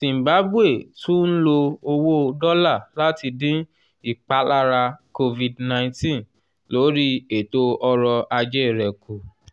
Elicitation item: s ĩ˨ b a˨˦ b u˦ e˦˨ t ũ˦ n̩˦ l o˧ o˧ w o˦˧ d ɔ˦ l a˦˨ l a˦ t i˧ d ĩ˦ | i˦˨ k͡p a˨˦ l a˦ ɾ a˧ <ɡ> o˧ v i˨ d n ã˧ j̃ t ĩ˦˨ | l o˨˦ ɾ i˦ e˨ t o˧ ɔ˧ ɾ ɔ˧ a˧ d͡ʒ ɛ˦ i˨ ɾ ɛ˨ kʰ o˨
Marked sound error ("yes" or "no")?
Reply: yes